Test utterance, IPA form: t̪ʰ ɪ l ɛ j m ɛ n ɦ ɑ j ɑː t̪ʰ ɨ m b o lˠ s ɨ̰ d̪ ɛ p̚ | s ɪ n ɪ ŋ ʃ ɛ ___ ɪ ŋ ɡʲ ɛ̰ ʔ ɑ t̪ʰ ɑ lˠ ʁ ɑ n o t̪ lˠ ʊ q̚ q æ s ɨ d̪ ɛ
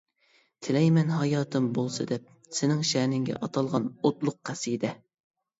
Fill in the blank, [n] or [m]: n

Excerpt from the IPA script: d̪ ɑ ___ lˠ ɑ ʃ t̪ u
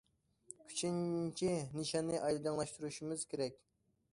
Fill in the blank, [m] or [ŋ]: ŋ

